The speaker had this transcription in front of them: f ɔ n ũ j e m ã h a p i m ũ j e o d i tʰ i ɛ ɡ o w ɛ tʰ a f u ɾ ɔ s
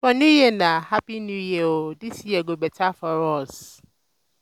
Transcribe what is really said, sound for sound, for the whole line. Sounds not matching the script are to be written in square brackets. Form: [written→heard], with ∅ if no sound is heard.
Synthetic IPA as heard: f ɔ n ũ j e [m→n] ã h a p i [m→n] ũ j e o d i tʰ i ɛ ɡ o [w→b] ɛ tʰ a f [u→ɔ] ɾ ɔ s